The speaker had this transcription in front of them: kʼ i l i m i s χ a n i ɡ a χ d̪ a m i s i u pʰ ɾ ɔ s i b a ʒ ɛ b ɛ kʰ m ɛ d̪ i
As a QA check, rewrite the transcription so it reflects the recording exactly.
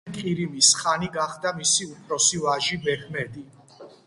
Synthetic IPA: kʼ i ɾ i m i s χ a n i ɡ a χ d̪ a m i s i u pʰ ɾ ɔ s i v a ʒ i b ɛ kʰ m ɛ d̪ i